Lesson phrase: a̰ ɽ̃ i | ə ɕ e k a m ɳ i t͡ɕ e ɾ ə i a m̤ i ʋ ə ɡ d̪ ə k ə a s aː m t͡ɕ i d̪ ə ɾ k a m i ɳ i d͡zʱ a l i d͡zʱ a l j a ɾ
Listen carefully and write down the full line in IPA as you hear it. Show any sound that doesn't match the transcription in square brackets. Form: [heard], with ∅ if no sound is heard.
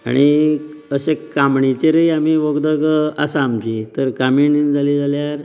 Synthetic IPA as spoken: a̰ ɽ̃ i | ə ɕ e k a m ɳ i t͡ɕ e ɾ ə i a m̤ i ʋ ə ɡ d̪ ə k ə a s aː m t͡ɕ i [t̪] ə ɾ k a m i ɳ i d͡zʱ a l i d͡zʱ a l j a ɾ